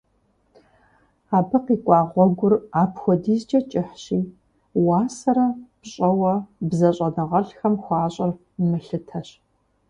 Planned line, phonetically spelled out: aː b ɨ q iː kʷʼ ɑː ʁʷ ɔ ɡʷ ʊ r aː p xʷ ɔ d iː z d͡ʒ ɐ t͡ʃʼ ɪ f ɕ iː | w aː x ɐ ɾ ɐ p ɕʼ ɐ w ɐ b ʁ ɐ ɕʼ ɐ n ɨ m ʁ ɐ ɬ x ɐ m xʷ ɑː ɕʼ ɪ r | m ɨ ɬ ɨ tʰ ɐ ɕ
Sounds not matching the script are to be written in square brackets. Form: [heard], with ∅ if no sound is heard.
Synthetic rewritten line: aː b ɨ q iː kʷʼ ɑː ʁʷ ɔ ɡʷ ʊ r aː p xʷ ɔ d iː z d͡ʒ ɐ t͡ʃʼ ɪ [ħ] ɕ iː | w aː [s] ɐ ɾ ɐ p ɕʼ ɐ w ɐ b [z] ɐ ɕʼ ɐ n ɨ [∅] ʁ ɐ ɬ x ɐ m xʷ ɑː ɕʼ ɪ r | m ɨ ɬ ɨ tʰ ɐ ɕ